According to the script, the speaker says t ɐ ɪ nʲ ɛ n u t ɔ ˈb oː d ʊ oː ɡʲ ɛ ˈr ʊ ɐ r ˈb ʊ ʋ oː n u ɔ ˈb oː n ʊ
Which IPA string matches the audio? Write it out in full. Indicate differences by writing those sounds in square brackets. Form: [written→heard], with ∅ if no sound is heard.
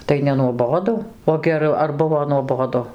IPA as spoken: t ɐ ɪ nʲ ɛ n u [t→∅] ɔ ˈb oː d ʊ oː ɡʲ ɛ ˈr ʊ ɐ r ˈb ʊ ʋ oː n u ɔ ˈb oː [n→d] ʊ

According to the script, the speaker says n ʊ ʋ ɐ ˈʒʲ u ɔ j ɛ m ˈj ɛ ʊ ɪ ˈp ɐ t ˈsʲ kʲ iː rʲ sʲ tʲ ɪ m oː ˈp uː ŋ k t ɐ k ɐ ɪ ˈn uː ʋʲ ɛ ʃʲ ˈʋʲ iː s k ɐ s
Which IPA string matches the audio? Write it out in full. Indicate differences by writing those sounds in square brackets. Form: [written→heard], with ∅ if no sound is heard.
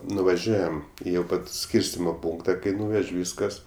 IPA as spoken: n ʊ ʋ ɐ ˈʒʲ u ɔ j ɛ m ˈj ɛ ʊ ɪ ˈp ɐ t ˈsʲ kʲ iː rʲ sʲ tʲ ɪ m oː ˈp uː ŋ k t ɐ k ɐ ɪ ˈn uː ʋʲ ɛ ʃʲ ˈʋʲ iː s k ɐ s

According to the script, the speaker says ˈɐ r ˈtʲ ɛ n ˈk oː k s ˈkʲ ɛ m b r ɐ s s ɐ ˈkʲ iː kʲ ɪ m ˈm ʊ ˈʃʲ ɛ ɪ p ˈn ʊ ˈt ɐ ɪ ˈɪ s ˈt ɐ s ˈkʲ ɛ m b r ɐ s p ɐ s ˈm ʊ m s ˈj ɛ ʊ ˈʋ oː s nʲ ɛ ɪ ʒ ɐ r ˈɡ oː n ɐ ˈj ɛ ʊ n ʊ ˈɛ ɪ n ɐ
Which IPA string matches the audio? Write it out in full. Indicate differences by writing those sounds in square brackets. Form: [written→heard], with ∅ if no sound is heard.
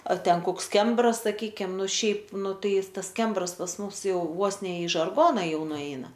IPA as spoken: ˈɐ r ˈtʲ ɛ n ˈk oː k s ˈkʲ ɛ m b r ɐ s s ɐ ˈkʲ iː kʲ ɪ m [ˈm→ˈn] ʊ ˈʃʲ ɛ ɪ p ˈn ʊ ˈt ɐ ɪ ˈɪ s ˈt ɐ s ˈkʲ ɛ m b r ɐ s p ɐ s ˈm ʊ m s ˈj ɛ ʊ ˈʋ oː s nʲ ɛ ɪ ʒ ɐ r ˈɡ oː n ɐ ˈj ɛ ʊ n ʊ ˈɛ ɪ n ɐ

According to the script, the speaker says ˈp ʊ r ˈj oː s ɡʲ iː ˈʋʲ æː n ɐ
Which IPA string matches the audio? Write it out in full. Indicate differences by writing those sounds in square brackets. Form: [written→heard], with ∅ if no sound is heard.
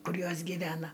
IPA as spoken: [ˈp→ˈk] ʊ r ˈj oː s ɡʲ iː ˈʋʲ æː n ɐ

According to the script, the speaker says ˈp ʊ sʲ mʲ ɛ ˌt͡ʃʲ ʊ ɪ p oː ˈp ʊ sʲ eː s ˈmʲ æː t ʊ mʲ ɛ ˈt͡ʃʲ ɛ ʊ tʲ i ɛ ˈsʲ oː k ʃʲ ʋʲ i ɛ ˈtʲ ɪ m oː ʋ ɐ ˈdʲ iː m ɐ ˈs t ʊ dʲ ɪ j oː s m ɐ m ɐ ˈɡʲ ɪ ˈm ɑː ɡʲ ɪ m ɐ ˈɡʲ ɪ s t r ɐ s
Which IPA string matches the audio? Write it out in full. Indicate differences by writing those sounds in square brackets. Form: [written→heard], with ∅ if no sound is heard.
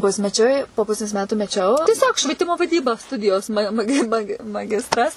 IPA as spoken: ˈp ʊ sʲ mʲ ɛ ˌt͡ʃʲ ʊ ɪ p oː ˈp ʊ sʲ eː s ˈmʲ æː t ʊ mʲ ɛ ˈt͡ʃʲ ɛ ʊ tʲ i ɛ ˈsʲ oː k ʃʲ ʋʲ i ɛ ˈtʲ ɪ m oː ʋ ɐ ˈdʲ iː [m→b] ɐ ˈs t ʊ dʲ ɪ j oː s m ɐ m ɐ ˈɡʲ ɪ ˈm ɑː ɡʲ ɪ m ɐ ˈɡʲ ɪ s t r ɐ s

